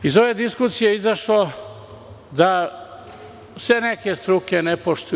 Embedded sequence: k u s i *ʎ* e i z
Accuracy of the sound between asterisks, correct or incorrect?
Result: incorrect: j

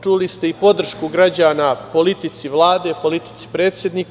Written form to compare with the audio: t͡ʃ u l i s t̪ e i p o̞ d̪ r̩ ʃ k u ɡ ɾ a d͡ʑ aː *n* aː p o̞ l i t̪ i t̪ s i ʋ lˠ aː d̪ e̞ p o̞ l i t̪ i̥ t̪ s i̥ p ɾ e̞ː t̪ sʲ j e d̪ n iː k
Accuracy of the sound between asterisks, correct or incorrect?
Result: correct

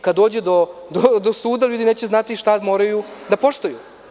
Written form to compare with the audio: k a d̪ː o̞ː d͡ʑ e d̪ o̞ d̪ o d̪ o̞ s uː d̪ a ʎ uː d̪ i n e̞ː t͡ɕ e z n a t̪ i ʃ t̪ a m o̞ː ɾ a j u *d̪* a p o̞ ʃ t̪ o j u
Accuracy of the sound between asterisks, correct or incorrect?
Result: correct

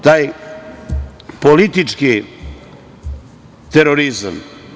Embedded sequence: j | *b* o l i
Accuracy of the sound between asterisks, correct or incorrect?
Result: incorrect: p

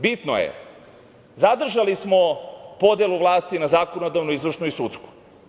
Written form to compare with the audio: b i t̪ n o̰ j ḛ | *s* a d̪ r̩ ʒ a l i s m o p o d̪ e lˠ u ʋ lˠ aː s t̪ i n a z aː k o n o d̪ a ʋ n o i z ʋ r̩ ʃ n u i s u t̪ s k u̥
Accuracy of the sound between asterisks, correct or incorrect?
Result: incorrect: z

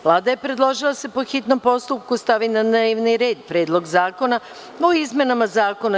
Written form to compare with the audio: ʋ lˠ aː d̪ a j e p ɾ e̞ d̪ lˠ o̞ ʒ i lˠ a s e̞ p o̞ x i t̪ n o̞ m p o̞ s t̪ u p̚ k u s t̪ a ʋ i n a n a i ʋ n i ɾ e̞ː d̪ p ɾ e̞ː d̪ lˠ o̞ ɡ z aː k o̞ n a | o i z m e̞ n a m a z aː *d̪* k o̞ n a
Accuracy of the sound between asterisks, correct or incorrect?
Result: incorrect: none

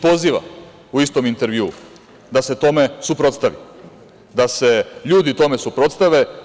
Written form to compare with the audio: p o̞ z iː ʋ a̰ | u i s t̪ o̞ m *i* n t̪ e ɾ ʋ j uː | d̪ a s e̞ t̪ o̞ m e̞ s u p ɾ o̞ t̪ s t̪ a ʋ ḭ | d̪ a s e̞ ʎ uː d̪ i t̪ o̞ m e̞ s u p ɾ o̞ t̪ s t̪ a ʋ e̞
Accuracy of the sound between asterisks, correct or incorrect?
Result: correct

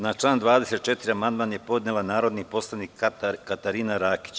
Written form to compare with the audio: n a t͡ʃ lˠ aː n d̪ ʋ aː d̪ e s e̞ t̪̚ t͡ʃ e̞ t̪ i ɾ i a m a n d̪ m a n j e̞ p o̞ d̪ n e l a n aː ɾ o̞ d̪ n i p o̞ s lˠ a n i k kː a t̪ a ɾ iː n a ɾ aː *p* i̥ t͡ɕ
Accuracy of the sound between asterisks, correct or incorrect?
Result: incorrect: k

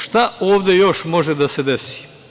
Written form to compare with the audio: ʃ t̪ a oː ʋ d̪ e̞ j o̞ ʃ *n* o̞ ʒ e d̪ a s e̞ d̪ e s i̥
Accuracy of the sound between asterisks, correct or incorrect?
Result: incorrect: m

